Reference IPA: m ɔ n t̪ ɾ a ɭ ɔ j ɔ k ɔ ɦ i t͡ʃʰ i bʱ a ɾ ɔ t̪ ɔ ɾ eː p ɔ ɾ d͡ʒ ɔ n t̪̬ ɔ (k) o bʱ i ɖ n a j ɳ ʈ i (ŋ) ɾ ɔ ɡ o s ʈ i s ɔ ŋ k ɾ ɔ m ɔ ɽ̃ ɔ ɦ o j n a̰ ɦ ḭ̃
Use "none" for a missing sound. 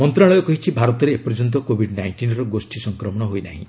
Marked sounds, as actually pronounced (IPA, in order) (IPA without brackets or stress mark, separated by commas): k, n